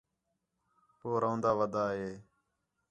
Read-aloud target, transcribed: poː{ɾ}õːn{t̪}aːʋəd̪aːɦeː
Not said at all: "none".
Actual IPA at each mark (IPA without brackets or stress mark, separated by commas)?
ɾ, d̪